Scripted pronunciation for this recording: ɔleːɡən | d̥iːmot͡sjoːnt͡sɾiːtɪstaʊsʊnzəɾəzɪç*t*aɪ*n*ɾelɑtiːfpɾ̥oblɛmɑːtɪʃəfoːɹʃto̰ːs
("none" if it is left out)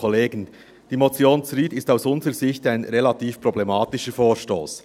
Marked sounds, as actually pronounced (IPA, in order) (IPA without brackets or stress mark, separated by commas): t, n